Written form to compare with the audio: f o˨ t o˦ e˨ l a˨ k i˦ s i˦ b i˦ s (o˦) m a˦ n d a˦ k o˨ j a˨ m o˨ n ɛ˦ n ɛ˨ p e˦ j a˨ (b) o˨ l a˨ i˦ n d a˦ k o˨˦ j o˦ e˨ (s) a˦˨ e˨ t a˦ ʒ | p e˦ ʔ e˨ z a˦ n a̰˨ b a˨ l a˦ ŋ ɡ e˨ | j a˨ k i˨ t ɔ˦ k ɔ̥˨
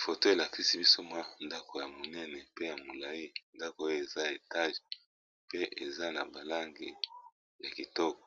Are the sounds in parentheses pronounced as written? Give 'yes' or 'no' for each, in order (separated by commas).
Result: yes, no, no